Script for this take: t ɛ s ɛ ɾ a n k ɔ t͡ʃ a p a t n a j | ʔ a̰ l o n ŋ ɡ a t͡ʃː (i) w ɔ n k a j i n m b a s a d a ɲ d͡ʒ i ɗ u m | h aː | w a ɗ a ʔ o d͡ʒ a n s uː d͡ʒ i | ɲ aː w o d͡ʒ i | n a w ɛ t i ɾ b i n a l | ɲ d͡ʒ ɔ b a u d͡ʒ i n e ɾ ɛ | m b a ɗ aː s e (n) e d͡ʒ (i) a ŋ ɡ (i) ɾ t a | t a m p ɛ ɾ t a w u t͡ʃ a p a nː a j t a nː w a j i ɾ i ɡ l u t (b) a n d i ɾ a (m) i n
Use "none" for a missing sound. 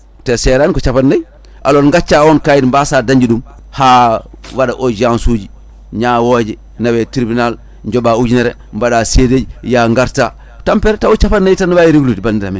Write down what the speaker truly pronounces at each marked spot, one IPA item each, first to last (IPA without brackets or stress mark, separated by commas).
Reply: a, d, j, a, b, m